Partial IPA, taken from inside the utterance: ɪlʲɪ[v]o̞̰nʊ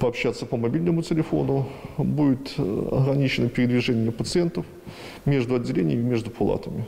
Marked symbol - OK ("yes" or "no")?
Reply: no